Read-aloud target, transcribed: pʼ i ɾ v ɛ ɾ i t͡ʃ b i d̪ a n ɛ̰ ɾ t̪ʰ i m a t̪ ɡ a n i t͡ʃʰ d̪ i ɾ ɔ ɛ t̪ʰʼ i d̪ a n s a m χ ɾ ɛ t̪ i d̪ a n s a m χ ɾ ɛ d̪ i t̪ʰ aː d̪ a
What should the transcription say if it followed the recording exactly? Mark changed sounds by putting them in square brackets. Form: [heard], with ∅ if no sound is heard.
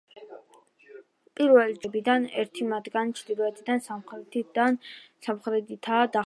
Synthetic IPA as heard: pʼ i ɾ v ɛ [l] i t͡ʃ b i d̪ a n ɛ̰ ɾ t̪ʰ i m a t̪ ɡ a n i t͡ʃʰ d̪ i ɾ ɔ ɛ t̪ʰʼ i d̪ a n s a m χ ɾ ɛ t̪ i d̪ a n s a m χ ɾ ɛ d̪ i t̪ʰ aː d̪ a

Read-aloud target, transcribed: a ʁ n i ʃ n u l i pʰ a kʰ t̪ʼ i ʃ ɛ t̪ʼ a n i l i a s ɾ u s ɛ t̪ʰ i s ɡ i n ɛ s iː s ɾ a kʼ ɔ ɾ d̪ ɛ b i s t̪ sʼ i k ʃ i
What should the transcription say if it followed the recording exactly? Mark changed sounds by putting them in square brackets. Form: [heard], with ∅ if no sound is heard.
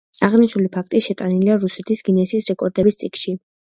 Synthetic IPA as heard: a ʁ n i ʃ n u l i pʰ a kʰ t̪ʼ i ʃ ɛ t̪ʼ a n i l i a [∅] ɾ u s ɛ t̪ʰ i s ɡ i n ɛ s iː s ɾ [ɛ] kʼ ɔ ɾ d̪ ɛ b i s t̪ sʼ i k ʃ i

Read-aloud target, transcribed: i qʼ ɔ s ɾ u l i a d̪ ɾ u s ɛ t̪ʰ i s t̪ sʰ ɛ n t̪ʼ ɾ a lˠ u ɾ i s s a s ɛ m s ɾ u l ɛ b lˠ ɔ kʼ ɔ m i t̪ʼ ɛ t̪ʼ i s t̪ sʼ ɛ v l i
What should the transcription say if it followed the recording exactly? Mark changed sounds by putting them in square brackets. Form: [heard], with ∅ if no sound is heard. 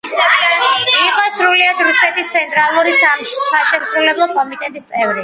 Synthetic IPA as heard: i qʼ ɔ s ɾ u l i a d̪ ɾ u s ɛ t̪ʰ i s t̪ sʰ ɛ n t̪ʼ ɾ a lˠ u ɾ i s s a [ʃ] ɛ m s ɾ u l ɛ b lˠ ɔ kʼ ɔ m i t̪ʼ ɛ t̪ʼ i s t̪ sʼ ɛ v [ɾ] i

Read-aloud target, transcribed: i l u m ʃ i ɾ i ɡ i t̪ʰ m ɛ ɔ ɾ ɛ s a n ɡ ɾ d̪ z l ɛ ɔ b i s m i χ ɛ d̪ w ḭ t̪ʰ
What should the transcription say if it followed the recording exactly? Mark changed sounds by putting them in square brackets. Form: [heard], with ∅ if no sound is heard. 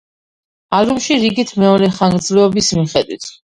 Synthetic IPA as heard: [a] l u m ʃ i ɾ i ɡ i t̪ʰ m ɛ ɔ ɾ ɛ [χ] a [ŋ] ɡ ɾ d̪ z l ɛ ɔ b i s m i χ ɛ d̪ w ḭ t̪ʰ

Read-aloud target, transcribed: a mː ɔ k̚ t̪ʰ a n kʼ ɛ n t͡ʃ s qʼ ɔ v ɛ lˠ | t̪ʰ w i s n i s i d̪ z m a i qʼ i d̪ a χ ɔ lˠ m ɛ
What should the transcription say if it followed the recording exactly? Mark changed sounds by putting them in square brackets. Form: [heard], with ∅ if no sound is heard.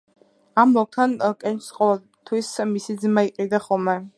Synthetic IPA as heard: a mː ɔ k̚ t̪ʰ a n kʼ ɛ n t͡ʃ s qʼ ɔ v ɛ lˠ | t̪ʰ w i s [m] i s i d̪ z m a i qʼ i d̪ a χ ɔ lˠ m ɛ

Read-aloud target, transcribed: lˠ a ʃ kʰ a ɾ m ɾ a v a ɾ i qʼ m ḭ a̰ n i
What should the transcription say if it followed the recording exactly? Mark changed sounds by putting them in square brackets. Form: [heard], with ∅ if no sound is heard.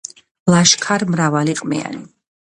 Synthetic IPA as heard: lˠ a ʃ kʰ a ɾ m ɾ a v a [l] i qʼ m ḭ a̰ n i

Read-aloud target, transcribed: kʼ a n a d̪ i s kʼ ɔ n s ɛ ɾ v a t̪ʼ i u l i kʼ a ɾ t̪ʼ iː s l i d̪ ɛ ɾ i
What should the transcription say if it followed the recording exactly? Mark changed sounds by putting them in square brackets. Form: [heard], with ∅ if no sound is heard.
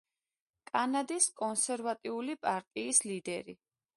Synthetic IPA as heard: kʼ a n a d̪ i s kʼ ɔ n s ɛ ɾ v a t̪ʼ i u l i [pʼ] a ɾ t̪ʼ iː s l i d̪ ɛ ɾ i

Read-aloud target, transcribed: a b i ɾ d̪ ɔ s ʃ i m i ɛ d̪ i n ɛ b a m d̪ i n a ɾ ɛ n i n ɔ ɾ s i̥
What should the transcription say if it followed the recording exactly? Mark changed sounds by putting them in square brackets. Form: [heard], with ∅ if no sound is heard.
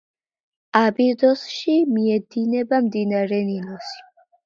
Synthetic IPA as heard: a b i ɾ d̪ ɔ s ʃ i m i ɛ d̪ i n ɛ b a m d̪ i n a ɾ ɛ n i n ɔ [∅] s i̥

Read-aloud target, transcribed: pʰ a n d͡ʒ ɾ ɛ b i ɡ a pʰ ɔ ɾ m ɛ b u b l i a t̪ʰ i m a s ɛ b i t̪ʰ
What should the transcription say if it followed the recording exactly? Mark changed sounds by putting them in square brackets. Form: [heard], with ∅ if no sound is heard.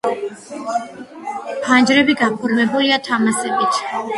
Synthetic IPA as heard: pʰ a n d͡ʒ ɾ ɛ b i ɡ a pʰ ɔ ɾ m ɛ b u [∅] l i a t̪ʰ [a] m a s ɛ b i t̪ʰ

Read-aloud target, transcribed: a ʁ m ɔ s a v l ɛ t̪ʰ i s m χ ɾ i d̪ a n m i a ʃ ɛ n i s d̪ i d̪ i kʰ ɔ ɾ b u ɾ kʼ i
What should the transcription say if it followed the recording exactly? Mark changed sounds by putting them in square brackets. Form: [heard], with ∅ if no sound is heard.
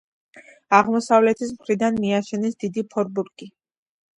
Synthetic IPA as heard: a ʁ m ɔ s a v l ɛ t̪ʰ i s m χ ɾ i d̪ a n m i a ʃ ɛ n i s d̪ i d̪ i [pʰ] ɔ ɾ b u ɾ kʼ i

